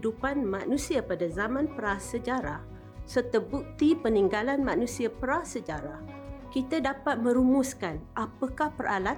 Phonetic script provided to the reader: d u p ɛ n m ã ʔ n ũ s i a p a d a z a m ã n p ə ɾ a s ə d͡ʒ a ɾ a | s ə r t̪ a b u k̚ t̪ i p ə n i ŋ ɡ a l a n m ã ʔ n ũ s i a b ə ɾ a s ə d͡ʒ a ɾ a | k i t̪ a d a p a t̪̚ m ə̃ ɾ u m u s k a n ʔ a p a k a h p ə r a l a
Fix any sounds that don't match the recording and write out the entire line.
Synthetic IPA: d u p a n m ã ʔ n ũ s i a p a d a z a m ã n p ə ɾ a s ə d͡ʒ a ɾ a | s ə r t̪ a b u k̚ t̪ i p ə n i ŋ ɡ a l a n m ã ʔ n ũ s i a p ə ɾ a s ə d͡ʒ a ɾ a | k i t̪ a d a p a t̪̚ m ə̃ ɾ u m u s k a n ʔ a p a k a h p ə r a l a